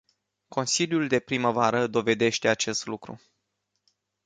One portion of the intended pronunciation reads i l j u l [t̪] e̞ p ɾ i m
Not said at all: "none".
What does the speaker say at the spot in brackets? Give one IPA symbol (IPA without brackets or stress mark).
d̪